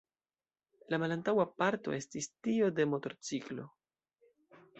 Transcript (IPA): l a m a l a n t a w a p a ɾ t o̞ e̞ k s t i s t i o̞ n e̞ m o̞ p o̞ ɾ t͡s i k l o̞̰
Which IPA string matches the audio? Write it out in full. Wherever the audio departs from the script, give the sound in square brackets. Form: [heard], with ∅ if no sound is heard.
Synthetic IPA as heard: l a m a l a n t a w a p a ɾ t o̞ e̞ [∅] s t i s t i o̞ [d] e̞ m o̞ [t] o̞ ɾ t͡s i k l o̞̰